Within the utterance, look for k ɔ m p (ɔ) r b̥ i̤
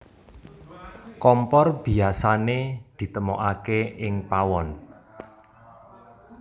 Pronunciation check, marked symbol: correct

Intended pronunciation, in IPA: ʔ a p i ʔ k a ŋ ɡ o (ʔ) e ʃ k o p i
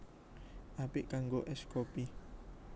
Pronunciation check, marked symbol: correct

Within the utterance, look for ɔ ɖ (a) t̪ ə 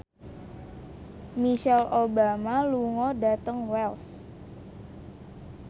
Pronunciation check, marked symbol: correct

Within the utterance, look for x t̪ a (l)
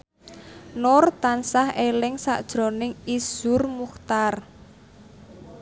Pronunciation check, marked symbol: incorrect: r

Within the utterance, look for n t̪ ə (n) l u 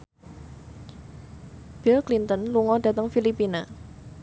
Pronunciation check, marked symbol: correct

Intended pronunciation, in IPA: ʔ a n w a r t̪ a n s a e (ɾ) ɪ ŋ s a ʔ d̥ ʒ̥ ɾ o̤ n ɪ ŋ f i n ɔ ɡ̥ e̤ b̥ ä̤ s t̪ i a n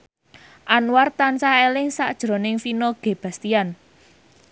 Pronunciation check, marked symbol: incorrect: l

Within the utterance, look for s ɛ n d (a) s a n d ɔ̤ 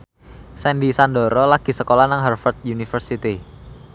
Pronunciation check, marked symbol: incorrect: i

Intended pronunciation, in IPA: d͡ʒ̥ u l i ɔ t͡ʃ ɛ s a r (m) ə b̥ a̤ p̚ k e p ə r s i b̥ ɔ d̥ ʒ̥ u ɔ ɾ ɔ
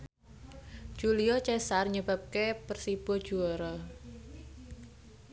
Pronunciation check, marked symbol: incorrect: ɲ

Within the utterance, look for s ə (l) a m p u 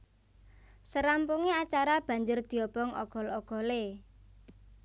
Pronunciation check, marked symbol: incorrect: ɾ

